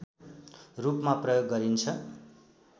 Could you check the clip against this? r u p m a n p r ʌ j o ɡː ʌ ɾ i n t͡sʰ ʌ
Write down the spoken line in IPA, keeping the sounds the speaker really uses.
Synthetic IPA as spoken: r u p m a p r ʌ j o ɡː ʌ ɾ i n t͡sʰ ʌ